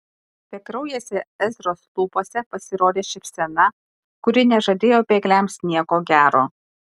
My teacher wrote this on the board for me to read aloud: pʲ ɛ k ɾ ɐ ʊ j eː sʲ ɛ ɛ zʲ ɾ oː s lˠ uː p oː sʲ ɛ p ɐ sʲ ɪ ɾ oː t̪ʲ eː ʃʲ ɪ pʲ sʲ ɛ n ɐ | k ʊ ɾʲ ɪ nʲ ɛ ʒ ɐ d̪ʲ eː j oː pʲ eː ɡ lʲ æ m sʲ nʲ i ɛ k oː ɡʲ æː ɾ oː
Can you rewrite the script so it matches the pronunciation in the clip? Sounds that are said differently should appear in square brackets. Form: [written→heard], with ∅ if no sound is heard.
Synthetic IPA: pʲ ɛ k ɾ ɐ ʊ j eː sʲ ɛ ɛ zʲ ɾ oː s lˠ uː p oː sʲ ɛ p ɐ sʲ ɪ ɾ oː [t̪ʲ→d̪ʲ] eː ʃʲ ɪ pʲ sʲ ɛ n ɐ | k ʊ ɾʲ ɪ nʲ ɛ ʒ ɐ d̪ʲ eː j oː pʲ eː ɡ lʲ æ m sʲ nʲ i ɛ k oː ɡʲ æː ɾ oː